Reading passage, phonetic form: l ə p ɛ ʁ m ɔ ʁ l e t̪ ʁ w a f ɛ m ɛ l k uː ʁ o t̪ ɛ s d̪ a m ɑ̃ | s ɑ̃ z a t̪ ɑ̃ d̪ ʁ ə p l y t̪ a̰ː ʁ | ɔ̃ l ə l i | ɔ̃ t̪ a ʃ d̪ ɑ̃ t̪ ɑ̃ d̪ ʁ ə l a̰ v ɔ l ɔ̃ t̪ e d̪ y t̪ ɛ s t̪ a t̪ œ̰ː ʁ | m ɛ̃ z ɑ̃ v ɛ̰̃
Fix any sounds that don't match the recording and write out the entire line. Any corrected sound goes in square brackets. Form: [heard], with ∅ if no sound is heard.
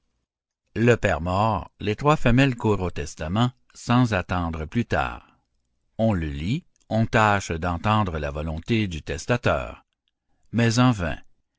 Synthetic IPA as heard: l ə p ɛ ʁ m ɔ ʁ l e t̪ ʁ w a f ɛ m ɛ l k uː ʁ o t̪ ɛ s [t̪] a m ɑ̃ | s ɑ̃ z a t̪ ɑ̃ d̪ ʁ ə p l y t̪ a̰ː ʁ | ɔ̃ l ə l i | ɔ̃ t̪ a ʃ d̪ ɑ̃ t̪ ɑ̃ d̪ ʁ ə l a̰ v ɔ l ɔ̃ t̪ e d̪ y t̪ ɛ s t̪ a t̪ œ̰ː ʁ | m [ɛ] z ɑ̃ v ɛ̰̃

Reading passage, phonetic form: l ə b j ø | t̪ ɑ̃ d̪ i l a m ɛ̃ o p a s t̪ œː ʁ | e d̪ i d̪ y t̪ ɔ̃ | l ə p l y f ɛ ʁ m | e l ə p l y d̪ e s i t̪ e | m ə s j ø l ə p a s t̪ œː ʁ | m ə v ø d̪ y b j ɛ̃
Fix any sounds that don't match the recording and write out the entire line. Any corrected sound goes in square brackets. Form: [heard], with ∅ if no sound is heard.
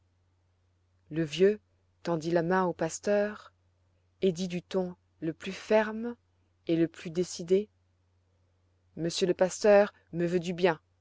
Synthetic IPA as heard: l ə [v] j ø | t̪ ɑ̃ d̪ i l a m ɛ̃ o p a s t̪ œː ʁ | e d̪ i d̪ y t̪ ɔ̃ | l ə p l y f ɛ ʁ m | e l ə p l y d̪ e s i [d̪] e | m ə s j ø l ə p a s t̪ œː ʁ | m ə v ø d̪ y b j ɛ̃

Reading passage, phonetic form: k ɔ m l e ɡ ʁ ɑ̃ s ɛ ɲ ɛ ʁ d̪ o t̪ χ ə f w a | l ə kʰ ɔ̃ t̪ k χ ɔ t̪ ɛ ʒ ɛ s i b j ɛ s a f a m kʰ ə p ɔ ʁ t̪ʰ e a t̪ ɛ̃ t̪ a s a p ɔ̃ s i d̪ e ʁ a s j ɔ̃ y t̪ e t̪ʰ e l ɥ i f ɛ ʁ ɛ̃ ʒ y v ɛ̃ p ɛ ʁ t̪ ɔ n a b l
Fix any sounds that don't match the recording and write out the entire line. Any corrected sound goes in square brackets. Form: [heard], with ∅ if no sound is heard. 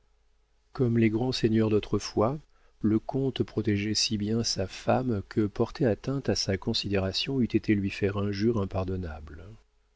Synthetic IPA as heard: k ɔ m l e ɡ ʁ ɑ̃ s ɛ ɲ [œ] ʁ d̪ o t̪ χ ə f w a | l ə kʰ ɔ̃ t̪ [p] χ ɔ t̪ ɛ ʒ ɛ s i b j [ɛ̃] s a f a m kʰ ə p ɔ ʁ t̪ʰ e a t̪ ɛ̃ t̪ a s a [k] ɔ̃ s i d̪ e ʁ a s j ɔ̃ y t̪ e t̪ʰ e l ɥ i f ɛ ʁ ɛ̃ ʒ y [ʁ] ɛ̃ p [a] ʁ [d̪] ɔ n a b l

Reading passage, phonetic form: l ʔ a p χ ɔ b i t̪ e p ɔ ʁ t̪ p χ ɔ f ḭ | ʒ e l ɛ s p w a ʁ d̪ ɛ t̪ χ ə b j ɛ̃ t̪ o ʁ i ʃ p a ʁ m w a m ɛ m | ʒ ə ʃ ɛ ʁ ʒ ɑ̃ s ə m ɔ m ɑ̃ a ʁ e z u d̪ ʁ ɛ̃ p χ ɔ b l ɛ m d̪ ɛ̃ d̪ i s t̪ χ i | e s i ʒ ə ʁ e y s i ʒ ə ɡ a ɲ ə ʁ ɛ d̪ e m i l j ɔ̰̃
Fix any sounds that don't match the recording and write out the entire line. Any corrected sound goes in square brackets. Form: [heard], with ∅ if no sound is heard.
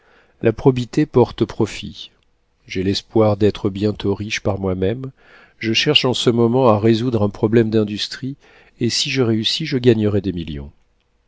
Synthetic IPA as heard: l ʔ a p χ ɔ b i t̪ e p ɔ ʁ t̪ p χ ɔ f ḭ | ʒ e l ɛ s p w a ʁ d̪ ɛ t̪ χ ə b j ɛ̃ t̪ o ʁ i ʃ p a ʁ m w a m ɛ m | ʒ ə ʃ ɛ ʁ [ʃ] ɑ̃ s ə m ɔ m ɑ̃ a ʁ e z u d̪ ʁ ɛ̃ p χ ɔ b l ɛ m d̪ ɛ̃ d̪ [y] s t̪ χ i | e s i ʒ ə ʁ e y s i ʒ ə ɡ a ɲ ə ʁ ɛ d̪ e m i l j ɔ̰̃

